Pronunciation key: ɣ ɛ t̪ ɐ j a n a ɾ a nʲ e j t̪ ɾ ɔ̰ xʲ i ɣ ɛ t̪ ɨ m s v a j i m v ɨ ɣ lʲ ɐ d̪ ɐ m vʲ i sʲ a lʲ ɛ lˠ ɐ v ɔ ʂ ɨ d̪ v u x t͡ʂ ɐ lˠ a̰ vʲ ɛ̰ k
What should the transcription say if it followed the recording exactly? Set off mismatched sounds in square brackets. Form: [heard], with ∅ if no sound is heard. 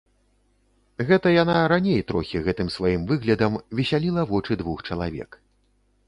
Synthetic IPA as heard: ɣ ɛ t̪ ɐ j a n a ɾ a nʲ e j t̪ ɾ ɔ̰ xʲ i ɣ ɛ t̪ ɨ m s v a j i m v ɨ ɣ lʲ ɐ d̪ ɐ m vʲ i sʲ a lʲ [i] lˠ ɐ v ɔ [t͡ʂ] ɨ d̪ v u x t͡ʂ ɐ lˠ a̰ vʲ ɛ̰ k